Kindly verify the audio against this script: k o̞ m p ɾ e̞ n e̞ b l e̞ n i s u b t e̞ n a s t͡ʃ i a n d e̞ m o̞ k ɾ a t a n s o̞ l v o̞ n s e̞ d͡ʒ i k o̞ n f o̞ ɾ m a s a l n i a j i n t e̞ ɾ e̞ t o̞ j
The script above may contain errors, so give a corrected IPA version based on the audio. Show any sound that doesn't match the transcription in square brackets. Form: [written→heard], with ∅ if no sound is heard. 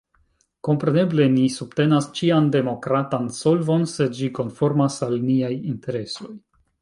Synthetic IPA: k o̞ m p ɾ e̞ n e̞ b l e̞ n i s u b t e̞ n a s t͡ʃ i a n d e̞ m o̞ k ɾ a t a n s o̞ l v o̞ n s e̞ d͡ʒ i k o̞ n f o̞ ɾ m a s a l n i a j i n t e̞ ɾ e̞ [t→s] o̞ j